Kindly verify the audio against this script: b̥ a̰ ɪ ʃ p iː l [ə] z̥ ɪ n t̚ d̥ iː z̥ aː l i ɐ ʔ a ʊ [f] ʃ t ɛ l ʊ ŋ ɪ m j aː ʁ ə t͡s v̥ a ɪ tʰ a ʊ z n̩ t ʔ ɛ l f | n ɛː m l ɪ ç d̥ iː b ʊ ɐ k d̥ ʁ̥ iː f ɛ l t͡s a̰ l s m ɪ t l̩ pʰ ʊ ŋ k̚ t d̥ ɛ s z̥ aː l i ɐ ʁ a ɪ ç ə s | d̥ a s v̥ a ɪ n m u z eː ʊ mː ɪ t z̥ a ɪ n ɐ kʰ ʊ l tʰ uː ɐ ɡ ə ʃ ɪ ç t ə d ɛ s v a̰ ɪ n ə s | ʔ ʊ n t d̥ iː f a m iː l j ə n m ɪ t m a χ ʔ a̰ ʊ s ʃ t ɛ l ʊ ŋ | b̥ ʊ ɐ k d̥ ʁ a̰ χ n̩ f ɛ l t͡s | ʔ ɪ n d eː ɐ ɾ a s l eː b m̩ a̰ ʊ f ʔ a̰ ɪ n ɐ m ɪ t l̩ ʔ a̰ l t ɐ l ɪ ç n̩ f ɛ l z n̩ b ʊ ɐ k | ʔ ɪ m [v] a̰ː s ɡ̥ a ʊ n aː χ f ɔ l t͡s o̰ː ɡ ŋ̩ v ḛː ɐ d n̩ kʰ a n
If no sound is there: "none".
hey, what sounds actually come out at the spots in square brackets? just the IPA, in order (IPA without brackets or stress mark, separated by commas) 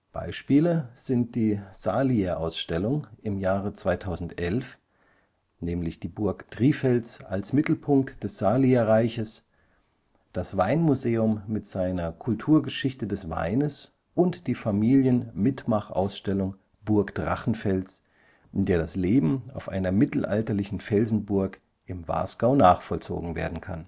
ə, s, v